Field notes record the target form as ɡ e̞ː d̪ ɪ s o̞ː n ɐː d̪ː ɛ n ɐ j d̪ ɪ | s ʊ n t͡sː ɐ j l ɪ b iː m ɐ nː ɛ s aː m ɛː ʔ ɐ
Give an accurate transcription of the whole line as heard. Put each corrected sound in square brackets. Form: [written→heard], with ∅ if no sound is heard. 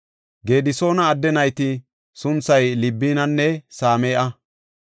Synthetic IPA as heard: ɡ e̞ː d̪ ɪ s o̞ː n ɐː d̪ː ɛ n ɐ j [d̪→t̪] ɪ | s ʊ n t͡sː ɐ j l ɪ [b→bː] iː [m→n] ɐ nː ɛ s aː m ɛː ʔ ɐ